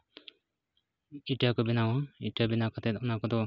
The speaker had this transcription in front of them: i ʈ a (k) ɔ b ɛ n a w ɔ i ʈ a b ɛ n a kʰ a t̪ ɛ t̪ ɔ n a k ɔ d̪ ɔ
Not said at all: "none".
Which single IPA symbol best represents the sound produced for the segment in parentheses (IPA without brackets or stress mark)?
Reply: k